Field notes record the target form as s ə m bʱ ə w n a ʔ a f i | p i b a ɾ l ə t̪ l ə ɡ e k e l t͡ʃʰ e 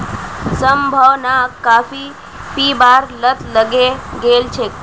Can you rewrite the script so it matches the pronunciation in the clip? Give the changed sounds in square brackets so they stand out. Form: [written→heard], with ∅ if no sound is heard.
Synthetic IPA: s ə m bʱ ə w n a [ʔ→k] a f i | p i b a ɾ l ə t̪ l ə ɡ e [k→ɡ] e l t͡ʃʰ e